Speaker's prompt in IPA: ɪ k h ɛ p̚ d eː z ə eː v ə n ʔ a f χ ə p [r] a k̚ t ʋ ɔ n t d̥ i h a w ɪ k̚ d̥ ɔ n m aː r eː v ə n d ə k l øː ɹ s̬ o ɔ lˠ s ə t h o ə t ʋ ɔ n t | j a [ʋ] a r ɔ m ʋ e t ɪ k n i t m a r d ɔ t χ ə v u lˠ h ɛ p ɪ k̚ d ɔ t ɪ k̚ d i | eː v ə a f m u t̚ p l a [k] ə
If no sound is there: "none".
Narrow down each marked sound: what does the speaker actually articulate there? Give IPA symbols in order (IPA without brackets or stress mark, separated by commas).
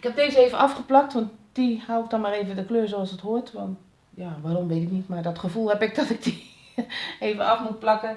l, ʋ, k